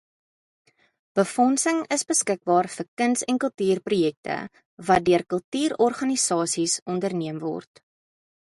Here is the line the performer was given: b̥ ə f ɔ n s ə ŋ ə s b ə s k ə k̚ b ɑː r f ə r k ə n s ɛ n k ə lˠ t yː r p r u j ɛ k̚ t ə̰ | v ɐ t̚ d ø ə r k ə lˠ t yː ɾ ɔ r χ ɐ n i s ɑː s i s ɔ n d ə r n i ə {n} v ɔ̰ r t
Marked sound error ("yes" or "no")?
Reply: yes